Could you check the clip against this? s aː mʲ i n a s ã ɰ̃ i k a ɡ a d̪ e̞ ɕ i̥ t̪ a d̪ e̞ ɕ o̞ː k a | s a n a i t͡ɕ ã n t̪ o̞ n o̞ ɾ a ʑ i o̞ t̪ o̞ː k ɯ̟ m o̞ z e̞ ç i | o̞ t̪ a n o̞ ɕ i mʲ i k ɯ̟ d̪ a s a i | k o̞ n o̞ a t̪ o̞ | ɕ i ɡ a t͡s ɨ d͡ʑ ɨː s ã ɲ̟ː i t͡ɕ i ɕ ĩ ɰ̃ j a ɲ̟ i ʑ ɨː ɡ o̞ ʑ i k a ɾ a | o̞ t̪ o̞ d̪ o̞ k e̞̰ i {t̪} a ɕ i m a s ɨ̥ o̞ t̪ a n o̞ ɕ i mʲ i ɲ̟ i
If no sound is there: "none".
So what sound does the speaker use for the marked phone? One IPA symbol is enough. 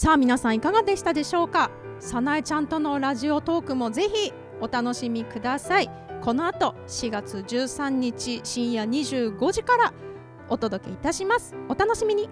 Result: t̪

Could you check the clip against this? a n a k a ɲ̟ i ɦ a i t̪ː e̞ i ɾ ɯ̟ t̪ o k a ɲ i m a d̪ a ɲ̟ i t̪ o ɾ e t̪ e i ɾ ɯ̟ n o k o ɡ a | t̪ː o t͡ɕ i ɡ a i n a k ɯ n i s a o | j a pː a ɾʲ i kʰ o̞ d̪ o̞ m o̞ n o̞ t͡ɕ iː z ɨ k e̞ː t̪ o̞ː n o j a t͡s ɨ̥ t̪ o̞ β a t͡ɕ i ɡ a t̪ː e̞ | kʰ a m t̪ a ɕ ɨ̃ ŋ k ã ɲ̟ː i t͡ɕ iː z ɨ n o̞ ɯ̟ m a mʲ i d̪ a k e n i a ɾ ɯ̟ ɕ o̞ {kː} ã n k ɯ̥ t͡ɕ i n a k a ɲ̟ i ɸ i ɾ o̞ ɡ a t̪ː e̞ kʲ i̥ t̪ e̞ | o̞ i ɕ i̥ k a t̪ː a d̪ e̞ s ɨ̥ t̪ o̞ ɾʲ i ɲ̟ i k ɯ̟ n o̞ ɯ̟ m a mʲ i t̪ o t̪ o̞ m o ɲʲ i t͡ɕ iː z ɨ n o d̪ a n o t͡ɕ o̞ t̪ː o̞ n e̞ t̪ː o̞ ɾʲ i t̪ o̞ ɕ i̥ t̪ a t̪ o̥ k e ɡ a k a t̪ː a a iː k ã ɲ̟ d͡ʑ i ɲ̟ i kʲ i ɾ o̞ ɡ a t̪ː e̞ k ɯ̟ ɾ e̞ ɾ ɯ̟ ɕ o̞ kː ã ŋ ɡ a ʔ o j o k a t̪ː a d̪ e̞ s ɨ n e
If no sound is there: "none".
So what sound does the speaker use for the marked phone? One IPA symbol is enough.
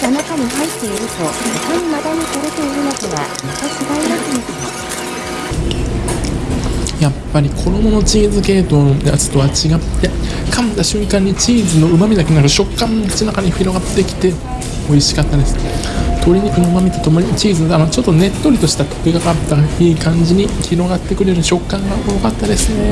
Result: kː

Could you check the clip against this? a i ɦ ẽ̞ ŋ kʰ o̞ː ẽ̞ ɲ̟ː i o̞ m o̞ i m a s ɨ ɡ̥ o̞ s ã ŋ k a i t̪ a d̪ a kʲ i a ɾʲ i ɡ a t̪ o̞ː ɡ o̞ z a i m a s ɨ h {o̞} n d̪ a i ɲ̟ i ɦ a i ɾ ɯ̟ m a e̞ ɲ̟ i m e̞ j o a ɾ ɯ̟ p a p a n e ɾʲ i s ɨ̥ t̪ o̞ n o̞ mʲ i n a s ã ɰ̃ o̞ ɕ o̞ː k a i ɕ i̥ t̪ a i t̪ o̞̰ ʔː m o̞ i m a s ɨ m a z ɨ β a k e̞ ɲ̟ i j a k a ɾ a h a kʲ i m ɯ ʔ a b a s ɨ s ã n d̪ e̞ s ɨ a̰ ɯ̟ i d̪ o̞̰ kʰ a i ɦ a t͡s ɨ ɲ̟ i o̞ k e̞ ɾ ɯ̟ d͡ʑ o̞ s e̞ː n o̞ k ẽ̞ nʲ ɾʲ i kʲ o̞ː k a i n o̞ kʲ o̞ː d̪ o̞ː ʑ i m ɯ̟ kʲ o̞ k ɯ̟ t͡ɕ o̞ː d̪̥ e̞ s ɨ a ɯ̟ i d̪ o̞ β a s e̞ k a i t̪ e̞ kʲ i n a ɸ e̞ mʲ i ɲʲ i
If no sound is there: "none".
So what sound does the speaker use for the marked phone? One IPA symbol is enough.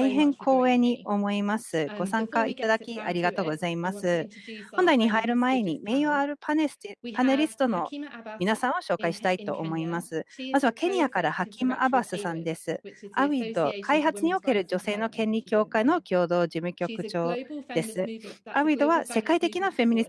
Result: õ̞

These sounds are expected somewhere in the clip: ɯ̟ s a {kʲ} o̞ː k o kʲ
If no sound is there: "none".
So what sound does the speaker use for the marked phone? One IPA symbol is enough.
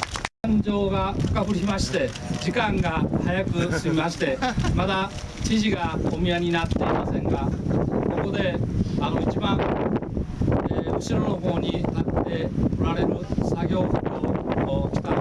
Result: ɡʲ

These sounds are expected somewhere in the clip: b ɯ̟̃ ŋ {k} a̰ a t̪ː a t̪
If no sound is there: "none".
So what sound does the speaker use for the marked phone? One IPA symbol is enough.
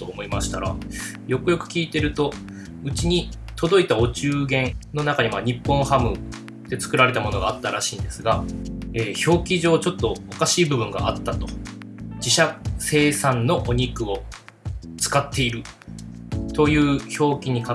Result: ɡ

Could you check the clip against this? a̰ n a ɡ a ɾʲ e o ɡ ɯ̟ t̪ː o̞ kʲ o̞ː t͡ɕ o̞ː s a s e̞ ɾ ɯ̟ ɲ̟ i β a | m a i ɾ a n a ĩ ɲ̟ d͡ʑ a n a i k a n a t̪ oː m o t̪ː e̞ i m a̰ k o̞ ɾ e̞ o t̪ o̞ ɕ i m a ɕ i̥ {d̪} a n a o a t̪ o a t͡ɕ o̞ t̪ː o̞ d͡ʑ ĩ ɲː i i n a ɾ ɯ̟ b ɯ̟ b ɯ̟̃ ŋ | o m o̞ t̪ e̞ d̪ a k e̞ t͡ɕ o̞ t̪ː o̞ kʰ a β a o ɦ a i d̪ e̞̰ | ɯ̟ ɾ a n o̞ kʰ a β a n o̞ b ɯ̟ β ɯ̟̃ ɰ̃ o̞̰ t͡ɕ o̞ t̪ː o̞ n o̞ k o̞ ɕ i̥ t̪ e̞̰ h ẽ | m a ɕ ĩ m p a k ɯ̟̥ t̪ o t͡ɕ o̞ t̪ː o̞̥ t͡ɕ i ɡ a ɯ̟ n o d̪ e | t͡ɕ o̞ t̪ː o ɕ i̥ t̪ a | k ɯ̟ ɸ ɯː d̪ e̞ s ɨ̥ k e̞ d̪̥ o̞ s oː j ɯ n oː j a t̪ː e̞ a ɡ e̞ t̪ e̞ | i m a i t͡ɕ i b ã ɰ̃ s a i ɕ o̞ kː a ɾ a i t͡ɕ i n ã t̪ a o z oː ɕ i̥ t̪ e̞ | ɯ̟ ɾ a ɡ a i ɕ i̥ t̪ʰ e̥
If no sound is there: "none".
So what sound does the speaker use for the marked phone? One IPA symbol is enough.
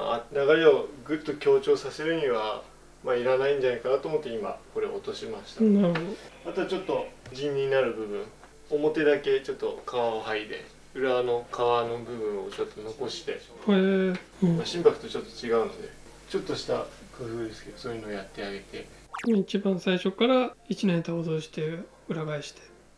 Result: t̪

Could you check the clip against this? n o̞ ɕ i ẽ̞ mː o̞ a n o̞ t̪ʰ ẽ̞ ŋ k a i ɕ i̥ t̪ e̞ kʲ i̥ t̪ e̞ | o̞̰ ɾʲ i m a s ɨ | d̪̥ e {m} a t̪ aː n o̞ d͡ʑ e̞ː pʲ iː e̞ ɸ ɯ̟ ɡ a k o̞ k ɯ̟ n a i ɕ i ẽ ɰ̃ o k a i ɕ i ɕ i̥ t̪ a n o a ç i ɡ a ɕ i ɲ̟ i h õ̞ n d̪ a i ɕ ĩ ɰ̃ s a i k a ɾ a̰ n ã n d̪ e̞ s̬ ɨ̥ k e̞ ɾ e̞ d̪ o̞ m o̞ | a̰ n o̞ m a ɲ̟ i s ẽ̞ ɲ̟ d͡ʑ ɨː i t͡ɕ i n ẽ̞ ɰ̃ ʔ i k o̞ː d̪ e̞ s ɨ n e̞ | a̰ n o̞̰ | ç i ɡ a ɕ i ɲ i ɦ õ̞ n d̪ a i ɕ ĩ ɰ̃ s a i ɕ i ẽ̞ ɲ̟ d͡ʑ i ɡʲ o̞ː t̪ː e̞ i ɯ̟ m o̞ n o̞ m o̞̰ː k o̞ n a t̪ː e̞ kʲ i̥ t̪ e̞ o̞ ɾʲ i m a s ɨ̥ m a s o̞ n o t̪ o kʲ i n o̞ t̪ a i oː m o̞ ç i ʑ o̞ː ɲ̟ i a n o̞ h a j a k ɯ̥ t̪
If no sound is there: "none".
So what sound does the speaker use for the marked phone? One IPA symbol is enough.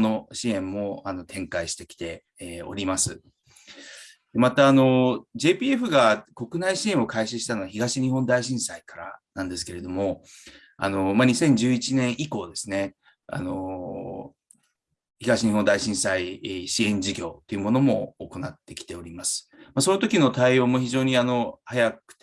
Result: m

